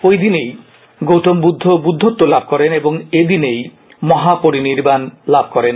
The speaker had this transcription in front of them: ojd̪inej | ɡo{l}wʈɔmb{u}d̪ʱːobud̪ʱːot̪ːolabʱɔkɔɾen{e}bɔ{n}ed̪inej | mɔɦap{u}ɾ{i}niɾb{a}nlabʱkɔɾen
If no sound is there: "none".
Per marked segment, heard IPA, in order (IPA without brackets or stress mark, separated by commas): none, u, e, ŋ, o, i, a